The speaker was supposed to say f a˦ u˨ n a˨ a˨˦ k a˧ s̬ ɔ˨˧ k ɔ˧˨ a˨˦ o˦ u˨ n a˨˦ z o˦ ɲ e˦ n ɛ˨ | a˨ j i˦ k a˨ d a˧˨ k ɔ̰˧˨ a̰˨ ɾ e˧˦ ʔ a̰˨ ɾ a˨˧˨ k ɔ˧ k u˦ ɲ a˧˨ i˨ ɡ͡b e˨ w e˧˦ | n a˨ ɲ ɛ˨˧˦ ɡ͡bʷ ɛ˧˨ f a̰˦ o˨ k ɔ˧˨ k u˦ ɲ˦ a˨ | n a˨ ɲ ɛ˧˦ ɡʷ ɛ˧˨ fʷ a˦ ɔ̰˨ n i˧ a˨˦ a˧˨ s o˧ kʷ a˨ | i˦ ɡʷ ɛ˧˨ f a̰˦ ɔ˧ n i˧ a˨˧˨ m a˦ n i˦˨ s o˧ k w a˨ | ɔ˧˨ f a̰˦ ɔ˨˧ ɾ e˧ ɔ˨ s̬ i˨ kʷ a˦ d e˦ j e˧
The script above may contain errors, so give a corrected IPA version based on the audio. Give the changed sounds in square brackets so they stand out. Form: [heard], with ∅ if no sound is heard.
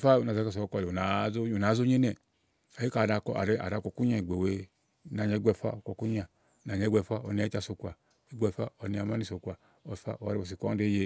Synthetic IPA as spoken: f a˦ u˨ n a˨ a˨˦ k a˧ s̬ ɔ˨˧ k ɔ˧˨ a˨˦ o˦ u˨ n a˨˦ z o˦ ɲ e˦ n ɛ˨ | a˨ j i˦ k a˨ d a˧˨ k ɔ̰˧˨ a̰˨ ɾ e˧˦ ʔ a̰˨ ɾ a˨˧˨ k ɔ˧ k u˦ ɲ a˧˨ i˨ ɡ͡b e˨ w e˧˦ | n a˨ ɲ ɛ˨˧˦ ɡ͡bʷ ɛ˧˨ f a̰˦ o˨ k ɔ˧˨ k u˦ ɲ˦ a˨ | n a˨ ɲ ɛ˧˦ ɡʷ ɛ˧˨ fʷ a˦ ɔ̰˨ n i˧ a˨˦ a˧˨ s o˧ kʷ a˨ | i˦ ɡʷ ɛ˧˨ f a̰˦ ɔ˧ n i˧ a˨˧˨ m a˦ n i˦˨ s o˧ k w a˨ | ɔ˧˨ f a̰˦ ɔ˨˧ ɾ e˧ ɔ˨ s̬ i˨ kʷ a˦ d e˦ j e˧